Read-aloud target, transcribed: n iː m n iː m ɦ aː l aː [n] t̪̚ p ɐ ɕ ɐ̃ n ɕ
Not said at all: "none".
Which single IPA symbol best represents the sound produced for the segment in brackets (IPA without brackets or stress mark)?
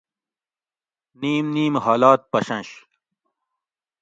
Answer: none